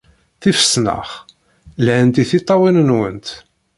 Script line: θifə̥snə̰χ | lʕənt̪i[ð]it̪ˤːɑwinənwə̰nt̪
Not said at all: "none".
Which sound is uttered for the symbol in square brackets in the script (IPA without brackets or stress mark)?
θ